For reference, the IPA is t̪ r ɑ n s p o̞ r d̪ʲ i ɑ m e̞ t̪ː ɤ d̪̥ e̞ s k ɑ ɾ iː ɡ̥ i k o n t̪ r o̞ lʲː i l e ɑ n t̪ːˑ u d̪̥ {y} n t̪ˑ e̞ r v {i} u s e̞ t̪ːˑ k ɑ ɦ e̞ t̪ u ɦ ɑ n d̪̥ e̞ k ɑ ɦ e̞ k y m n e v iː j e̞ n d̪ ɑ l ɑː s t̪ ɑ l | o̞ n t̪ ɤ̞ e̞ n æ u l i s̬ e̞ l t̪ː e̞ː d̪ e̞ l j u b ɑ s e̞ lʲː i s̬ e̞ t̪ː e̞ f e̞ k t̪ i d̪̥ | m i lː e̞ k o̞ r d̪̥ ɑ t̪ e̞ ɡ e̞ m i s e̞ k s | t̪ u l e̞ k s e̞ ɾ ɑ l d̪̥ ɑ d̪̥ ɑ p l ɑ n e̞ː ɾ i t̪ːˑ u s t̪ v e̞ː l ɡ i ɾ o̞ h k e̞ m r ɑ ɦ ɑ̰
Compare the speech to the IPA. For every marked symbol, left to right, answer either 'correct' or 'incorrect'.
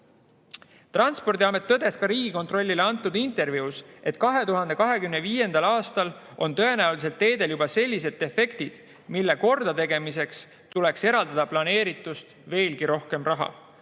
incorrect: i, correct

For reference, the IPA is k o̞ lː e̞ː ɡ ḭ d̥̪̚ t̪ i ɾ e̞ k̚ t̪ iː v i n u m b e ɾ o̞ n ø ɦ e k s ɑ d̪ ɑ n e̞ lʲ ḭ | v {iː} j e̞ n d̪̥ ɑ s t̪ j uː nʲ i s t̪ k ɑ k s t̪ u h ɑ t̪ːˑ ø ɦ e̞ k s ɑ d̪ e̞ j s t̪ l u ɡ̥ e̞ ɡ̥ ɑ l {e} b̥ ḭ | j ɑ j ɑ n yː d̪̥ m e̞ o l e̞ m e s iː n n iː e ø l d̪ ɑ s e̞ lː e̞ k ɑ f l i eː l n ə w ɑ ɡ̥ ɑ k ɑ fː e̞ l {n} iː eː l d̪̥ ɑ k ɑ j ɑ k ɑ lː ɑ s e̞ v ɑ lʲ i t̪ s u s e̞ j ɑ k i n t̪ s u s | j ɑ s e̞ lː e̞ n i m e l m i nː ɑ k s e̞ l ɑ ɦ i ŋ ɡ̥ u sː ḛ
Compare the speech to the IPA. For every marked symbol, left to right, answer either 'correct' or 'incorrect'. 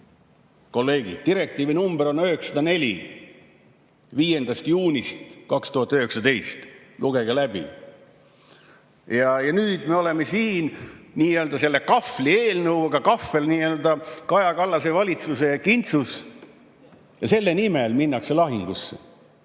correct, incorrect: æ, correct

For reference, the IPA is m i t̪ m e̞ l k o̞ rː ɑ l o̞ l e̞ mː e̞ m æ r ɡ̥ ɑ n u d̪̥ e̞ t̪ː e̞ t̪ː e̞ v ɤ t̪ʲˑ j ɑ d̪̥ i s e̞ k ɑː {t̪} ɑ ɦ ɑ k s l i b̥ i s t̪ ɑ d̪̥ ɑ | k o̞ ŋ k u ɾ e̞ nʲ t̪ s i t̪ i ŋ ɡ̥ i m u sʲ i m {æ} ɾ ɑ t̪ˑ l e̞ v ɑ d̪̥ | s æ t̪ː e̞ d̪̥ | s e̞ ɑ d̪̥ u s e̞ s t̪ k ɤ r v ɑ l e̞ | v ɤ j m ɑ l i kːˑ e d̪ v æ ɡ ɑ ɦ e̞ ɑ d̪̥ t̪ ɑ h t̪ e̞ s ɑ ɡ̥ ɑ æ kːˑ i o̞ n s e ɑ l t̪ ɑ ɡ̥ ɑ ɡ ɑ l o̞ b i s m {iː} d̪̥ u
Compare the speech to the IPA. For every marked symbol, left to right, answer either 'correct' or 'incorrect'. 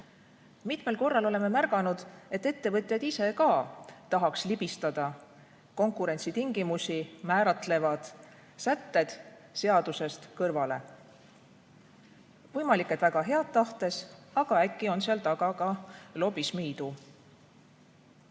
correct, incorrect: æː, correct

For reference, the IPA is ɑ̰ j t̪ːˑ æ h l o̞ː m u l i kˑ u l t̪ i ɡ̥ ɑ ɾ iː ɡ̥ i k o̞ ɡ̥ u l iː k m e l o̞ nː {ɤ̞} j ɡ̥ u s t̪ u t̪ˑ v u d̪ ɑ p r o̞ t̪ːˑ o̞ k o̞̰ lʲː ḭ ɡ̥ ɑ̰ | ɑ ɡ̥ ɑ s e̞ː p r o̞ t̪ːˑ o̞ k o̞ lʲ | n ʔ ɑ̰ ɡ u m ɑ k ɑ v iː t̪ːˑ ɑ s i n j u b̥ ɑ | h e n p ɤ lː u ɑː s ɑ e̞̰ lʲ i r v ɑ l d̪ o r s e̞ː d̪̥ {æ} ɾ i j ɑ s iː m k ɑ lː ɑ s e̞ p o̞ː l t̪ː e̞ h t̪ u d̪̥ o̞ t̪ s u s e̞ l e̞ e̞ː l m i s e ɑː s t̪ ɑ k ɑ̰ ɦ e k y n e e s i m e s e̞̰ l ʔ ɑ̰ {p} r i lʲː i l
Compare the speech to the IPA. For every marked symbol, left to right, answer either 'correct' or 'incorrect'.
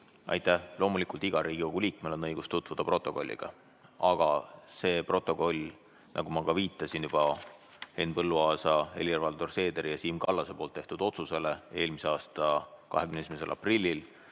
correct, incorrect: e, correct

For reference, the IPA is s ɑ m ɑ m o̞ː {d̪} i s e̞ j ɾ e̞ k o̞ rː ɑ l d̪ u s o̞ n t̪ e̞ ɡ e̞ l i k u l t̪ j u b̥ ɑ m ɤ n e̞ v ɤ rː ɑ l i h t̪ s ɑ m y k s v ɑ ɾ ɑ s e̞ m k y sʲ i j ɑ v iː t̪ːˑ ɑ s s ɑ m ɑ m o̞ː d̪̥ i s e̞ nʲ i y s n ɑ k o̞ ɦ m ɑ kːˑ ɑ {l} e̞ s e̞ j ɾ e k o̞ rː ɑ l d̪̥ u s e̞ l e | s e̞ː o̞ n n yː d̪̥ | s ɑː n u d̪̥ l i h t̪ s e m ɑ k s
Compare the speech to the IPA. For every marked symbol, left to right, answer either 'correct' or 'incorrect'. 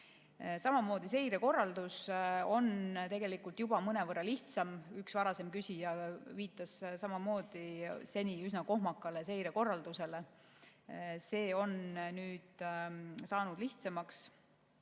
correct, correct

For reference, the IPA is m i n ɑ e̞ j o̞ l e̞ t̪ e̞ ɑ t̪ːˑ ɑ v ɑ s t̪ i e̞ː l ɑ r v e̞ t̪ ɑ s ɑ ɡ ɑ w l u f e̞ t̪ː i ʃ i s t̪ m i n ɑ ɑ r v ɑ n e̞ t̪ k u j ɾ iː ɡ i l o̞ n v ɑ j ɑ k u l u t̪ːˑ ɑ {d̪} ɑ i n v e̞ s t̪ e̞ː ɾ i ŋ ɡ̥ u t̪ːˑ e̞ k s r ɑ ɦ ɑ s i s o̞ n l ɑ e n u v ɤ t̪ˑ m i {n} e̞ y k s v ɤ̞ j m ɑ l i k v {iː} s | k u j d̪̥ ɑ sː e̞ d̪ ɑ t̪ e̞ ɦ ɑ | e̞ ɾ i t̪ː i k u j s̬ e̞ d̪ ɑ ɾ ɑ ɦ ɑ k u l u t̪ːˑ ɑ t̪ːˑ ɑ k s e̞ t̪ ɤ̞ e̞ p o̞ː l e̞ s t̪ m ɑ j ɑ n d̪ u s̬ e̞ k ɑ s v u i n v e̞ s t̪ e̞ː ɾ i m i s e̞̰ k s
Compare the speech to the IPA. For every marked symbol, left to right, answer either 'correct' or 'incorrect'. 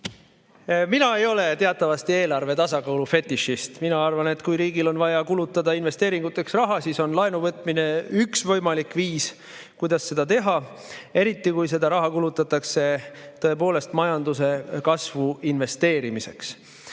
correct, correct, correct

